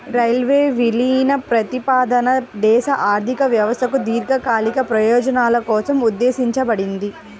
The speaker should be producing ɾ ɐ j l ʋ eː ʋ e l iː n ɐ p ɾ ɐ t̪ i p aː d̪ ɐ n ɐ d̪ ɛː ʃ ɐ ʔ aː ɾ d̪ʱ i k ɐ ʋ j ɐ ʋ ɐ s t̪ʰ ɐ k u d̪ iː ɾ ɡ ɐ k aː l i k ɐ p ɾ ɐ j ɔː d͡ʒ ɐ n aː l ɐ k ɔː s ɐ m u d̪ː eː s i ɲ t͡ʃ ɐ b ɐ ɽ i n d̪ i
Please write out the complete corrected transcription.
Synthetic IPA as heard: ɾ ɐ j l ʋ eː ʋ i l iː n ɐ p ɾ ɐ t̪ i p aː d̪ ɐ n ɐ d̪ ɛː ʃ ɐ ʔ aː ɾ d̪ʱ i k ɐ ʋ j ɐ ʋ ɐ s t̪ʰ ɐ k u d̪ iː ɾ ɡ ɐ k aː l i k ɐ p ɾ ɐ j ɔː d͡ʒ ɐ n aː l ɐ k ɔː s ɐ m u d̪ː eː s i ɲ t͡ʃ ɐ b ɐ ɽ i n d̪ i

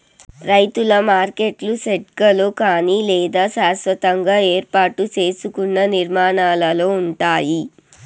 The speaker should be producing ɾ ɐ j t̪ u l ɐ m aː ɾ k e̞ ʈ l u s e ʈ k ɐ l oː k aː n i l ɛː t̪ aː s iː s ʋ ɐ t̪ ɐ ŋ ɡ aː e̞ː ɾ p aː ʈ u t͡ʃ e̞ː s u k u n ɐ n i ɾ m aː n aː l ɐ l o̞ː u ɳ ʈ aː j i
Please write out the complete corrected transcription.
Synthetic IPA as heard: ɾ ɐ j t̪ u l ɐ m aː ɾ k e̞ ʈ l u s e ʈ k ɐ l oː k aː n i l ɛː d̪ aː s aː s ʋ ɐ t̪ ɐ ŋ ɡ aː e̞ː ɾ p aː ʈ u t͡ʃ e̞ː s u k u nː ɐ n i ɾ m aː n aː l ɐ l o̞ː u ɳ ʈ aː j i

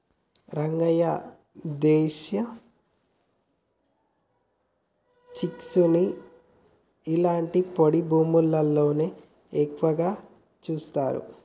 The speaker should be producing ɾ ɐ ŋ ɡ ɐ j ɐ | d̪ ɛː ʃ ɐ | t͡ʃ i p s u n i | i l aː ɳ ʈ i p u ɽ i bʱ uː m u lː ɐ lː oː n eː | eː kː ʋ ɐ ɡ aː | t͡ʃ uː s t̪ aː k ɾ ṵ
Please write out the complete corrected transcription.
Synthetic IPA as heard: ɾ ɐ ŋ ɡ ɐ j ɐ | d̪ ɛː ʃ ɐ | t͡ʃ i k s u n i | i l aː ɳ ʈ i p o ɽ i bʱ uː m u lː ɐ lː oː n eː | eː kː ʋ ɐ ɡ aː | t͡ʃ uː s t̪ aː ɾ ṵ

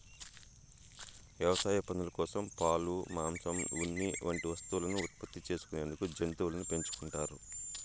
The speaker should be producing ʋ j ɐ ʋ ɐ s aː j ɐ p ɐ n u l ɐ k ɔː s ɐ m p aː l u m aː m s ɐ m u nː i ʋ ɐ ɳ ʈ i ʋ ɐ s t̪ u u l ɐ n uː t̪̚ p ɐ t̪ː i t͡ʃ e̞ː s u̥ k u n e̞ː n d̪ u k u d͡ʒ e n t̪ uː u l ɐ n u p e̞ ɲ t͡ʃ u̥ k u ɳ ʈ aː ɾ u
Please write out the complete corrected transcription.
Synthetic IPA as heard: ʋ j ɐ ʋ ɐ s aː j ɐ p ɐ n u l ɐ k ɔː s ɐ m p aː l u m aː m s ɐ m u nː i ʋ ɐ ɳ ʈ i ʋ ɐ s t̪ u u l ɐ n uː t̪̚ p ɐ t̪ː i t͡ʃ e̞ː s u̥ k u n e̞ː n d̪ u k u d͡ʒ e n t̪ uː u l ɐ n u p e̞ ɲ t͡ʃ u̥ k u ɳ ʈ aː ɾ u

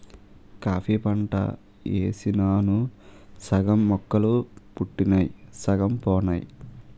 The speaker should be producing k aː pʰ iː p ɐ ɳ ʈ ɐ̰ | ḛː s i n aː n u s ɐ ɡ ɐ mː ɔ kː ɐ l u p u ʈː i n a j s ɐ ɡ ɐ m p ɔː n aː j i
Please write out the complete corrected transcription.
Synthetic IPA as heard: k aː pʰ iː p ɐ ɳ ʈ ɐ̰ | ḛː s i n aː n u s ɐ ɡ ɐ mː ɔ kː ɐ l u p u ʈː i n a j s ɐ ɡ ɐ m p ɔː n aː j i

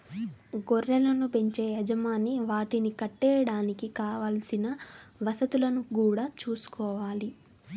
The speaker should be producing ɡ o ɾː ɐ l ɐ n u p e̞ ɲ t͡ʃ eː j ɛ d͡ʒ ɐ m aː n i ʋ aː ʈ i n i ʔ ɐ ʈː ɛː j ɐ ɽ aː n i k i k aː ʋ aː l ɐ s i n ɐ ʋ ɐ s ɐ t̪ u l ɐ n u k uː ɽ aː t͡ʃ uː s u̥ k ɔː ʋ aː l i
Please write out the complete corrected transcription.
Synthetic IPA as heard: ɡ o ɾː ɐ l ɐ n u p e̞ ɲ t͡ʃ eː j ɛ d͡ʒ ɐ m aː n i ʋ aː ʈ i n i k ɐ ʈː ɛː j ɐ ɽ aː n i k i k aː ʋ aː l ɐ s i n ɐ ʋ ɐ s ɐ t̪ u l ɐ n u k uː ɽ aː t͡ʃ uː s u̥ k ɔː ʋ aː l i

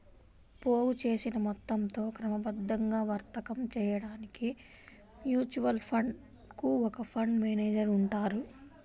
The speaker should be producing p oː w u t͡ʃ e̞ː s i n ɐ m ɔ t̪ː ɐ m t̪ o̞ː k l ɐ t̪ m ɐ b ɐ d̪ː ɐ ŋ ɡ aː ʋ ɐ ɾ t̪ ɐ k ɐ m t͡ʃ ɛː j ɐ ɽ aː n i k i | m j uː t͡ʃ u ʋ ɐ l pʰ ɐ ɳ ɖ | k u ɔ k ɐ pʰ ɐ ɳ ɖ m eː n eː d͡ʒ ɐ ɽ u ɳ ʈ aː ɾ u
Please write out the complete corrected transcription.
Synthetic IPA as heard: p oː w u t͡ʃ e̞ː s i n ɐ m ɔ t̪ː ɐ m t̪ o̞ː k ɾ ɐ m ɐ b ɐ d̪ː ɐ ŋ ɡ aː ʋ ɐ ɾ t̪ ɐ k ɐ m t͡ʃ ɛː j ɐ ɽ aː n i k i | m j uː t͡ʃ u ʋ ɐ l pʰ ɐ ɳ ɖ | k u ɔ k ɐ pʰ ɐ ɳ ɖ m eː n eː d͡ʒ ɐ ɾ u ɳ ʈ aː ɾ u

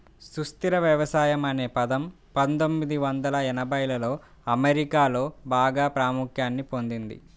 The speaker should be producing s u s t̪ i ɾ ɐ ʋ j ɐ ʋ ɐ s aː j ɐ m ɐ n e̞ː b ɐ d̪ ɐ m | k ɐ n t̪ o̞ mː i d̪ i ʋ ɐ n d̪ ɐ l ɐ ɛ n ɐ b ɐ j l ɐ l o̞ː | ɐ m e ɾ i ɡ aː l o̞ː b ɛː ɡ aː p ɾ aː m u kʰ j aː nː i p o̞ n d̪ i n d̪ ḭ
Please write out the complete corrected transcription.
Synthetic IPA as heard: s u s t̪ i ɾ ɐ ʋ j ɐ ʋ ɐ s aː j ɐ m ɐ n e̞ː p ɐ d̪ ɐ m | p ɐ n t̪ o̞ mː i d̪ i ʋ ɐ n d̪ ɐ l ɐ ɛ n ɐ b ɐ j l ɐ l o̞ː | ɐ m e ɾ i k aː l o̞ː b aː ɡ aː p ɾ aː m u kʰ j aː nː i p o̞ n d̪ i n d̪ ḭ

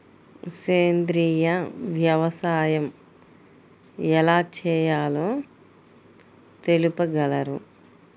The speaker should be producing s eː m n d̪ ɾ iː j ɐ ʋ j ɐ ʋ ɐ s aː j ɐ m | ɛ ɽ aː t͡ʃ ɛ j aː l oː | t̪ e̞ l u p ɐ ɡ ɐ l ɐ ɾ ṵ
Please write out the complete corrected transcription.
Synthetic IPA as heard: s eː n d̪ ɾ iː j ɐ ʋ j ɐ ʋ ɐ s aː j ɐ m | ɛ l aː t͡ʃ ɛː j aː l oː | t̪ e̞ l u p ɐ ɡ ɐ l ɐ ɾ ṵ

